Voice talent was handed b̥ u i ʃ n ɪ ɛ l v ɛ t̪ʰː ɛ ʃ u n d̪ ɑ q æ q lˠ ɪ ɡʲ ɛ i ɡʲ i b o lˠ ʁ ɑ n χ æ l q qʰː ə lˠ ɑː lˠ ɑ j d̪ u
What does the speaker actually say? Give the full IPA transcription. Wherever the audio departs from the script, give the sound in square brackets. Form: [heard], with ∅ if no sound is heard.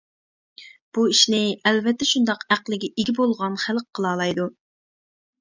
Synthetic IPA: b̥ u i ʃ n ɪ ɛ l v ɛ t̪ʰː ɛ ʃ u n d̪ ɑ q æ q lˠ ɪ ɡʲ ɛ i ɡʲ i b o lˠ ʁ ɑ n χ æ l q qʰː ə lˠ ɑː lˠ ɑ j d̪ u

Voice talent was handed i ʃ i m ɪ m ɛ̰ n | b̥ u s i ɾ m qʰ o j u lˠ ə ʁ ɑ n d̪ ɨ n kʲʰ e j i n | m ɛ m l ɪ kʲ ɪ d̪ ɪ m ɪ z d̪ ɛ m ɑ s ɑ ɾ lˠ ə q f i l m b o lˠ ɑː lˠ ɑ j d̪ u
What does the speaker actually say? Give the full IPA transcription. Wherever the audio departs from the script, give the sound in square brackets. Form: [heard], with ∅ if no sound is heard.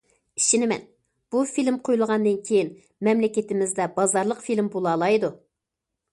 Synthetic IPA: i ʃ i [n] ɪ m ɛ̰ n | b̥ u [f] i [l] m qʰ o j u lˠ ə ʁ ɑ n d̪ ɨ n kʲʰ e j i n | m ɛ m l ɪ kʲ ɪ [t̪] ɪ m ɪ z d̪ ɛ [b] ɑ [z] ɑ ɾ lˠ ə q f i l m b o lˠ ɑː lˠ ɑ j d̪ u

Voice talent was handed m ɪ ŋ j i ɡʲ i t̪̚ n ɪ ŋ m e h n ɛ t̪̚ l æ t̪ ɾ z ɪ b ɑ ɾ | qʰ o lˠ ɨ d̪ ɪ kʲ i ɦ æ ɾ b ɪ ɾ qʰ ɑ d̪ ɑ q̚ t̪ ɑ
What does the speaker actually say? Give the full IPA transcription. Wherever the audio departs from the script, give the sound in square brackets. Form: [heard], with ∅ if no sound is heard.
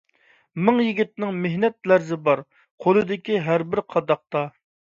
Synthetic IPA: m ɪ ŋ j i ɡʲ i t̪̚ n ɪ ŋ m e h n ɛ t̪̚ l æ [∅] ɾ z ɪ b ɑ ɾ | qʰ o lˠ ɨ d̪ ɪ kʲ i ɦ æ ɾ b ɪ ɾ qʰ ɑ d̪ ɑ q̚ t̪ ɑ

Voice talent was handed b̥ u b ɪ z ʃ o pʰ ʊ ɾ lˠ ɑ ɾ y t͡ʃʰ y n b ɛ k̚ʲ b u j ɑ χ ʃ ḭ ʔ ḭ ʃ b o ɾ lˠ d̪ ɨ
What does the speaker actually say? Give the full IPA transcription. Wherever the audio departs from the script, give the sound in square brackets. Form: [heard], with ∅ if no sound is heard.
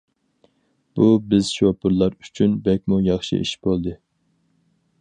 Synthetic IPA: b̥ u b ɪ z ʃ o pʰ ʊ ɾ lˠ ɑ ɾ y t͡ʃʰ y n b ɛ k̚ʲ [m] u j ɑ χ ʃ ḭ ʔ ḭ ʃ b o [∅] lˠ d̪ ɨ

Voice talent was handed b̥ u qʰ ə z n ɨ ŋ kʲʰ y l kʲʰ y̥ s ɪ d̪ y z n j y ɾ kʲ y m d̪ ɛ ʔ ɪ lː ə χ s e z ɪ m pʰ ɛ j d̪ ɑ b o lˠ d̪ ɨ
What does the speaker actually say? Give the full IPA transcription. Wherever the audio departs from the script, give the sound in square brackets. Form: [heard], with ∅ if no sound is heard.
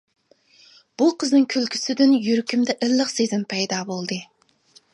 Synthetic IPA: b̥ u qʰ ə z n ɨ ŋ kʲʰ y l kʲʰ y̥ s ɪ d̪ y [∅] n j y ɾ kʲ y m d̪ ɛ ʔ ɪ lː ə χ s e z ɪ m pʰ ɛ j d̪ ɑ b o lˠ d̪ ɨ

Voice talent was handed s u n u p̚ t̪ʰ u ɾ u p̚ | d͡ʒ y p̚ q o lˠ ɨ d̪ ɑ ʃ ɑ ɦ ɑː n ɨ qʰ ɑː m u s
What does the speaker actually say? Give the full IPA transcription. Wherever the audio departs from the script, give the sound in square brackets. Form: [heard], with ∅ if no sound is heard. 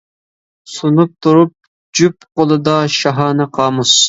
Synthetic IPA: s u n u p̚ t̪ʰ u ɾ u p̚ | d͡ʒ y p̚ q o lˠ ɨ d̪ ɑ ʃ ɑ ɦ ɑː n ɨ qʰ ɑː m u s

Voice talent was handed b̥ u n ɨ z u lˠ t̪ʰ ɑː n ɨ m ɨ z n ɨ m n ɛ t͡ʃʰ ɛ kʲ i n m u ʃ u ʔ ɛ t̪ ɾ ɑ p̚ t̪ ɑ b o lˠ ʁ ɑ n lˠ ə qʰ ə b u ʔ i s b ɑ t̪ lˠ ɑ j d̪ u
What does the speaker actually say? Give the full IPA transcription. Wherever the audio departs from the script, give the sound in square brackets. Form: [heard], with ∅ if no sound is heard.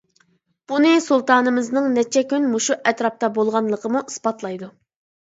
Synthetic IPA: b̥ u n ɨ [s] u lˠ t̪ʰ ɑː n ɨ m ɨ z n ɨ [ŋ] n ɛ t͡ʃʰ ɛ kʲ [y] n m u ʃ u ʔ ɛ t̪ ɾ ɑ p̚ t̪ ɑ b o lˠ ʁ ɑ n lˠ ə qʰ ə [m] u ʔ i s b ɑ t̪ lˠ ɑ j d̪ u

